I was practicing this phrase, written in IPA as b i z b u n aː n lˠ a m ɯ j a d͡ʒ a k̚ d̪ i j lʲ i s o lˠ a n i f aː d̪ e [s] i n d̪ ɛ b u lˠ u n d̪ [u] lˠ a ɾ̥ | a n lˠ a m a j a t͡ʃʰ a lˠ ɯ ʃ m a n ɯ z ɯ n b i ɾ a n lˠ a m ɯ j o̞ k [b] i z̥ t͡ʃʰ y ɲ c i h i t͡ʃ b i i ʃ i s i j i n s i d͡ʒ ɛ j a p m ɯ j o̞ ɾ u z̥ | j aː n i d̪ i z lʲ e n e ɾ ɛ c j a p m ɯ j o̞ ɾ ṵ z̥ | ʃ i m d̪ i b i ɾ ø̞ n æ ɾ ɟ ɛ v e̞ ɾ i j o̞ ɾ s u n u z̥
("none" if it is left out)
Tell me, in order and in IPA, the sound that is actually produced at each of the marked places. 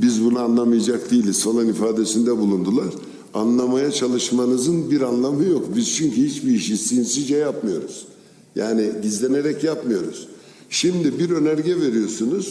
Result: s, u, b

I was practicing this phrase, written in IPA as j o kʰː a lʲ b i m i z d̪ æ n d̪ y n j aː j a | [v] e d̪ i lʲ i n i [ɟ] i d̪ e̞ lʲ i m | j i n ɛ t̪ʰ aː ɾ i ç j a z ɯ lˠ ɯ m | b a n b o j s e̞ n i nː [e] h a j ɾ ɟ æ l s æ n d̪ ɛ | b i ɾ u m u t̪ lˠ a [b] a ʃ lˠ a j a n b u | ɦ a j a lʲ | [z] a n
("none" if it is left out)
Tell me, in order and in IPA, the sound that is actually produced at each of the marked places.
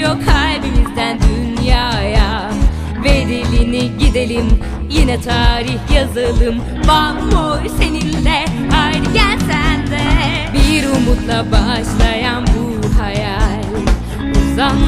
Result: v, ɟ, ɛ, b, z

